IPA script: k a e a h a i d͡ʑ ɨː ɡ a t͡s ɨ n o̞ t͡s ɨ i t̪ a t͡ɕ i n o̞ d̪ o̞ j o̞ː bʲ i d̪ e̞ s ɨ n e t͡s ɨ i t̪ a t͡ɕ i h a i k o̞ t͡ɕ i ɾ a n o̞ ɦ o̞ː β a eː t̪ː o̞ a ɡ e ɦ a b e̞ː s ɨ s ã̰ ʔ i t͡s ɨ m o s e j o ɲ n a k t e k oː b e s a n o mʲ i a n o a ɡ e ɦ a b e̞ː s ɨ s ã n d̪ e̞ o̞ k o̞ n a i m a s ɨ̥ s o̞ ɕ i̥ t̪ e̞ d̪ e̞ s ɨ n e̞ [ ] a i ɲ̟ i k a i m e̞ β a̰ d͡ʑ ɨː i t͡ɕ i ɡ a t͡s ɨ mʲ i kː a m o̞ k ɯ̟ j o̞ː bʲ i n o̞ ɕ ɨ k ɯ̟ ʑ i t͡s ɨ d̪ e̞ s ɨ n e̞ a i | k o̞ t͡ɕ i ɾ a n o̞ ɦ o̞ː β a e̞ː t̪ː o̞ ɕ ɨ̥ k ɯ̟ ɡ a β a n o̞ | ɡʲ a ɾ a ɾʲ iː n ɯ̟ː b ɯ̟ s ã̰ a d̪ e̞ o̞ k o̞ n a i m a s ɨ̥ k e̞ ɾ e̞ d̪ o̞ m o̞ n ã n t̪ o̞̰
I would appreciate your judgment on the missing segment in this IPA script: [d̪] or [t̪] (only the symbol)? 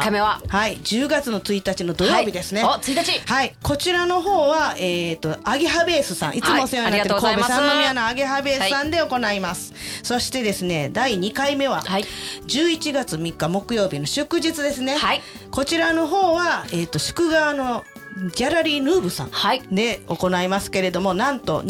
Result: d̪